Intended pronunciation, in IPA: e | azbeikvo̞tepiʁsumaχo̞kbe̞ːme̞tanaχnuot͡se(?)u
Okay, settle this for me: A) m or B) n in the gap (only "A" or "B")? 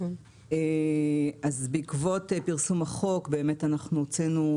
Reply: B